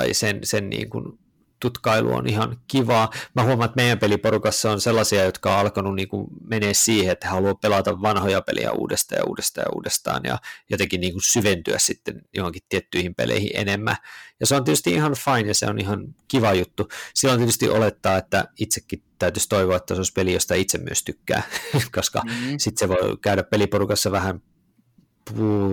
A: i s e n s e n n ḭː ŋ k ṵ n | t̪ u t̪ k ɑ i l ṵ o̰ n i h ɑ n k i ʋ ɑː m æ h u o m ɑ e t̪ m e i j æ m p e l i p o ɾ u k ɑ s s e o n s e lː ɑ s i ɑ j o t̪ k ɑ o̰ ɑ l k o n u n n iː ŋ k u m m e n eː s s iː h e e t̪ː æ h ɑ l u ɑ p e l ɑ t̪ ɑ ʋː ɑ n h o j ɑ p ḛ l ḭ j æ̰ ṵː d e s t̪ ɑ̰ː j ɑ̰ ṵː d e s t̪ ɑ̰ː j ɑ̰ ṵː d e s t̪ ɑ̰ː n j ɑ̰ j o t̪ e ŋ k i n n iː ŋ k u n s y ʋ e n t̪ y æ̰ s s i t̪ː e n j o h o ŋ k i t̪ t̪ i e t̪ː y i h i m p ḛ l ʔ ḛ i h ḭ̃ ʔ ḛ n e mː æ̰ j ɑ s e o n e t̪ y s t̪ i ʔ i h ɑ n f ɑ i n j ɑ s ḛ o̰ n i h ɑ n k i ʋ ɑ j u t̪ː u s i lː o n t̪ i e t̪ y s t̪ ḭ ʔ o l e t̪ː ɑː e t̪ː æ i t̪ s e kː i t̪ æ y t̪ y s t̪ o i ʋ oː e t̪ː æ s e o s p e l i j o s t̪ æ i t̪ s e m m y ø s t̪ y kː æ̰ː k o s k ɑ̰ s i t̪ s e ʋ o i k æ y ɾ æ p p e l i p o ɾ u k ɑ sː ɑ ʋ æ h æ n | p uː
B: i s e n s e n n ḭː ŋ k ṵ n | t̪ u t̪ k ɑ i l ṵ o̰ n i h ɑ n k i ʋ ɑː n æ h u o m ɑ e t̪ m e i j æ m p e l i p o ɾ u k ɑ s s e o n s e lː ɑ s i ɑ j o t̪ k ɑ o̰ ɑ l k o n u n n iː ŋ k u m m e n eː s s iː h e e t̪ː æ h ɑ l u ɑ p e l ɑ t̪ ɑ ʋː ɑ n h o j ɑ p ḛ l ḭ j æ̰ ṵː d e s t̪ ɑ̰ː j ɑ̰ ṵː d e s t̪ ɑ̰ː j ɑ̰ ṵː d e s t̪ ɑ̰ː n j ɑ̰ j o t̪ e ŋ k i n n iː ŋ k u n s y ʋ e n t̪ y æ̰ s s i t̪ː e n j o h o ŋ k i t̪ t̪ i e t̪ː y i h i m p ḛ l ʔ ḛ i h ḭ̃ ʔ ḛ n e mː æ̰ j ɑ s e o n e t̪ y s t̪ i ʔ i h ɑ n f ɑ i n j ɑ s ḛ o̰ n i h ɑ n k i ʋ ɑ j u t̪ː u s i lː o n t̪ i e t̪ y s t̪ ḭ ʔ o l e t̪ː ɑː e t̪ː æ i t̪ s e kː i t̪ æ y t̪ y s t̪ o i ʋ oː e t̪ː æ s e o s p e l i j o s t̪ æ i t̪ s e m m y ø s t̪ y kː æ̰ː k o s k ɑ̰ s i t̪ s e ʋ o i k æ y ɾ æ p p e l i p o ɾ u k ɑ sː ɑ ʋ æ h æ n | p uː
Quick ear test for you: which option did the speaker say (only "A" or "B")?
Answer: A